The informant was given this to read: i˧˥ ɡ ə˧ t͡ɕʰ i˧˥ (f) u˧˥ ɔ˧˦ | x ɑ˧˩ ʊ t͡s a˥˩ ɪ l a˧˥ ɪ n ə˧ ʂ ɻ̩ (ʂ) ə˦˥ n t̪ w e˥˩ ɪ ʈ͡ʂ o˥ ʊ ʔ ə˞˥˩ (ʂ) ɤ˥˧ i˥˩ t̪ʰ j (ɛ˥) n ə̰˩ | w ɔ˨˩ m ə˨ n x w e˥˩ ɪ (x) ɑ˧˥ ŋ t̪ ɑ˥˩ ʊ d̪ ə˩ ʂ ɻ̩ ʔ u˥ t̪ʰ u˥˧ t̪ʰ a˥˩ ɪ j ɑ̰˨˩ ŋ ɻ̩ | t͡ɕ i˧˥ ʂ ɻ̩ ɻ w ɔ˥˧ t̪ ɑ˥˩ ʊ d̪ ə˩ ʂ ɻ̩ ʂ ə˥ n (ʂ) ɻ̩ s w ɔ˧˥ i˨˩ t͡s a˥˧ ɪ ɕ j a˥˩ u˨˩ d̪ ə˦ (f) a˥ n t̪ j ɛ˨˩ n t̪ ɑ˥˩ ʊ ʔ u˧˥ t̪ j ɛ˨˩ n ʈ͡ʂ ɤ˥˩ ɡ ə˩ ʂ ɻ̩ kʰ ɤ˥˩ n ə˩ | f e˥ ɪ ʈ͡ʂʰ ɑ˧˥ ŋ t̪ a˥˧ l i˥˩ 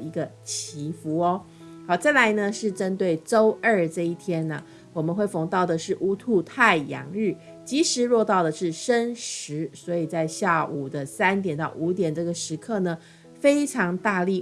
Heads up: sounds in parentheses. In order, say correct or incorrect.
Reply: correct, incorrect: ʈ͡ʂ, incorrect: ʈ͡ʂ, correct, incorrect: f, correct, incorrect: s

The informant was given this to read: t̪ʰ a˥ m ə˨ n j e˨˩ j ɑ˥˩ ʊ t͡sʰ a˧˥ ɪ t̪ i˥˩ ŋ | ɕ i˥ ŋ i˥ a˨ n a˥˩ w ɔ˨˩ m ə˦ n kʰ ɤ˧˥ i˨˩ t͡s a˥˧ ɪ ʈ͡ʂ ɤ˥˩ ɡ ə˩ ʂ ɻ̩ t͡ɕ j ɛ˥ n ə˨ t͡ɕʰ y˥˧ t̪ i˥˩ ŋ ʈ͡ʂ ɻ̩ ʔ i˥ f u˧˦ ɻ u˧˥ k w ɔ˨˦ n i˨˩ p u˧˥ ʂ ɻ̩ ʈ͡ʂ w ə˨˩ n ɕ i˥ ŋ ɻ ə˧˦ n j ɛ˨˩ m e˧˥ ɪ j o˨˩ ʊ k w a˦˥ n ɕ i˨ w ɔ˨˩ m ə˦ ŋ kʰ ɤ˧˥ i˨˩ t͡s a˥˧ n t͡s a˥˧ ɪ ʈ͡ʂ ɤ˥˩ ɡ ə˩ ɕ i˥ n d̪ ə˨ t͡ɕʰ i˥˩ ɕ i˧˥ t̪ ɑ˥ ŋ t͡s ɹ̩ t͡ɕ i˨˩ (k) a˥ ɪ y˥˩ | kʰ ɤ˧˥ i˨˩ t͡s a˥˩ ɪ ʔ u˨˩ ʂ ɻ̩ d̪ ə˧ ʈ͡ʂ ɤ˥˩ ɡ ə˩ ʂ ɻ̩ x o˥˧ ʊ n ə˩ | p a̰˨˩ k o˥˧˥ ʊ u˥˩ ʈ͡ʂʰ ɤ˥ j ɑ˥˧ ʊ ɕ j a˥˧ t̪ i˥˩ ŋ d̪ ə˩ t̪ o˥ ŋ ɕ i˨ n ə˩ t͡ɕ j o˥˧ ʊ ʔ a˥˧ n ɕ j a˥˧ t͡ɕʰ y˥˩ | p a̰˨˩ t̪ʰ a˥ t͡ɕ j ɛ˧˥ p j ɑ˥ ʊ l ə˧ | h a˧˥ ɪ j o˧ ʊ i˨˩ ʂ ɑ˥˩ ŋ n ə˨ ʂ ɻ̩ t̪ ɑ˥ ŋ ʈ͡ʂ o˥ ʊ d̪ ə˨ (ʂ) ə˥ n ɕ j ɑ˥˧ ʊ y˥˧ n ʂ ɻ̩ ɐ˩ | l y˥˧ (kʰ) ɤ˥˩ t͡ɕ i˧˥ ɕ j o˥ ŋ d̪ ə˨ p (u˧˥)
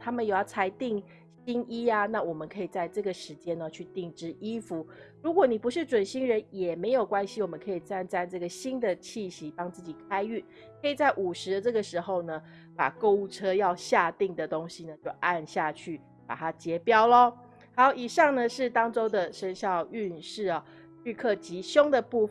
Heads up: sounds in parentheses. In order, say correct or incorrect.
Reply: incorrect: kʰ, correct, correct, incorrect: u˥˧

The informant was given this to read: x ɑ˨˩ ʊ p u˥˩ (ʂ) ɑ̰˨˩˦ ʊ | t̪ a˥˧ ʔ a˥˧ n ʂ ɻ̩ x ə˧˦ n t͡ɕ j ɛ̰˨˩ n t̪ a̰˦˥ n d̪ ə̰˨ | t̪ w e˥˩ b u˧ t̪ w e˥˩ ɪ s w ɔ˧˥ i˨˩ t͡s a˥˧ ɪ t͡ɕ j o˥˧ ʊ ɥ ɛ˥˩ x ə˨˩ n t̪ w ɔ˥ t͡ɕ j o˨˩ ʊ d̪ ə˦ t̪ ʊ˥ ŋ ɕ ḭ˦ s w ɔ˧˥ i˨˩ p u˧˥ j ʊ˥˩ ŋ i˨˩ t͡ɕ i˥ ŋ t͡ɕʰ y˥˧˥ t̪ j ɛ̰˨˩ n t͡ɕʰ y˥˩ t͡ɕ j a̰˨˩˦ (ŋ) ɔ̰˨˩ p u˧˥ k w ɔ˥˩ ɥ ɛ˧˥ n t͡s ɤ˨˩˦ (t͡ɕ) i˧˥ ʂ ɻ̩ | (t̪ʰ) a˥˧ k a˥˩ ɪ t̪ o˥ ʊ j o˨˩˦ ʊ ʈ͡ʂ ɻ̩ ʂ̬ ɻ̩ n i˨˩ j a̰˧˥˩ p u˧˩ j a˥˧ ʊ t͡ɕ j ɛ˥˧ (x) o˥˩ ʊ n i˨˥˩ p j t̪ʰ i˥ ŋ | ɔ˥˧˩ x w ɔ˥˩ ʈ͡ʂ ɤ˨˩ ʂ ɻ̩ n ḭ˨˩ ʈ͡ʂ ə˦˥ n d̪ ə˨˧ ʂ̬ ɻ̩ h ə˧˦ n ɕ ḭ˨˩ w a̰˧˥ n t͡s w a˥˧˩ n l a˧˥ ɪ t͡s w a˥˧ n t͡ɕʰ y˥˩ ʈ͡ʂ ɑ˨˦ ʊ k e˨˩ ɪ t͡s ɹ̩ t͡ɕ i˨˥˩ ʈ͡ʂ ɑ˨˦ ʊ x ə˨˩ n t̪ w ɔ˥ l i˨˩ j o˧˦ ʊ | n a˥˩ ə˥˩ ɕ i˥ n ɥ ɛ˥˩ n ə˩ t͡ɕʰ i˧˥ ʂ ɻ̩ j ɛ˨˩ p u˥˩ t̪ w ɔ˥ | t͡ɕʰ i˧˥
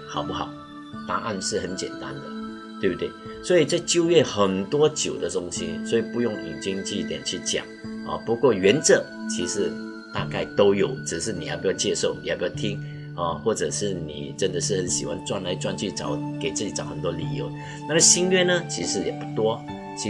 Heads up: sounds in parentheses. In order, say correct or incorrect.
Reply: incorrect: x, correct, incorrect: t͡ɕʰ, incorrect: t̪, incorrect: ʂ

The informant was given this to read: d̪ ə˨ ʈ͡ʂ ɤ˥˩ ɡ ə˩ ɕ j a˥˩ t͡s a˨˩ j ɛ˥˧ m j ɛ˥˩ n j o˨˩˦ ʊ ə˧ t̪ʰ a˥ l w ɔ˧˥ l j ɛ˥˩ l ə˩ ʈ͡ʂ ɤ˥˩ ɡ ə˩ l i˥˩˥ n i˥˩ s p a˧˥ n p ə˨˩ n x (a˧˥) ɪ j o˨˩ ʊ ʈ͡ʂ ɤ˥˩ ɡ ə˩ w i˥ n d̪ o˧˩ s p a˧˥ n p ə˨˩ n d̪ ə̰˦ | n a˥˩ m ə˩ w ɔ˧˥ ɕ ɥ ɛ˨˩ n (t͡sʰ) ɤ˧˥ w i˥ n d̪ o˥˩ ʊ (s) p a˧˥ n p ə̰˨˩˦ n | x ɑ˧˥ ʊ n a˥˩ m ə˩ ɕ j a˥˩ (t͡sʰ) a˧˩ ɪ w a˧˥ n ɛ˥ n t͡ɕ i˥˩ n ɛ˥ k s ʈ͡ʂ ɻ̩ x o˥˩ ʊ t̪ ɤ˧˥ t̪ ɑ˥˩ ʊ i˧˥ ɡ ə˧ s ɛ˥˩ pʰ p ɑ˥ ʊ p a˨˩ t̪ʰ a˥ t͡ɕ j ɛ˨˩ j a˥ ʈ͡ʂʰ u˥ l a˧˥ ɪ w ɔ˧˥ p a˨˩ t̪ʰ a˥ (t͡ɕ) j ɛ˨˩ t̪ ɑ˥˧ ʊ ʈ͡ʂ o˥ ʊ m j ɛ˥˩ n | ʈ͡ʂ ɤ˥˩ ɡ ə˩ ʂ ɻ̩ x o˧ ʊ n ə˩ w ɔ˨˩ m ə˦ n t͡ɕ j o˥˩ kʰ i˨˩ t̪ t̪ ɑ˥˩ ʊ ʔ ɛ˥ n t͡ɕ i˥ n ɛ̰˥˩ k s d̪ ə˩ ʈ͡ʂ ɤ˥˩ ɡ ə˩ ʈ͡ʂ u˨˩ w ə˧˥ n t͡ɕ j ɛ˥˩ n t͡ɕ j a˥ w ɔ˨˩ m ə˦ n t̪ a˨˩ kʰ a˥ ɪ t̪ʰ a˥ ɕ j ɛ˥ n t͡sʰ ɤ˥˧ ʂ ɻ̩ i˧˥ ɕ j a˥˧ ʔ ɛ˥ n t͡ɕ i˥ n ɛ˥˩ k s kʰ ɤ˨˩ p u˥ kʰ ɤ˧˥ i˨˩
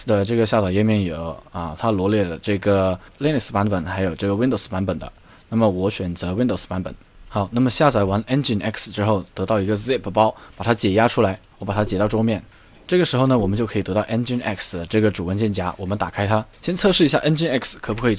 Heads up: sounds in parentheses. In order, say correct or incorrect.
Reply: correct, incorrect: t͡s, correct, incorrect: t͡s, correct

